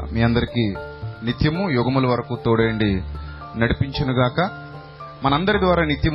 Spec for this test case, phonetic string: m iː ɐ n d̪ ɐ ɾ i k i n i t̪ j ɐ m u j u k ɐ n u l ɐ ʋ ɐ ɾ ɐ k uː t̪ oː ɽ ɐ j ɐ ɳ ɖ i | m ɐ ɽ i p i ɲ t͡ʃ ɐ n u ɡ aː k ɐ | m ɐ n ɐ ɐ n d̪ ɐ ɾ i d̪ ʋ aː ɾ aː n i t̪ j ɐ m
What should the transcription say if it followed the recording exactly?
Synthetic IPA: m iː ɐ n d̪ ɐ ɾ i k i n i t̪ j ɐ m u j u ɡ ɐ m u l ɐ ʋ ɐ ɾ ɐ k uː t̪ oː ɽ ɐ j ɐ ɳ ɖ i | n ɐ ɽ i p i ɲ t͡ʃ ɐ n u ɡ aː k ɐ | m ɐ n ɐ ɐ n d̪ ɐ ɾ i d̪ ʋ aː ɾ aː n i t̪ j ɐ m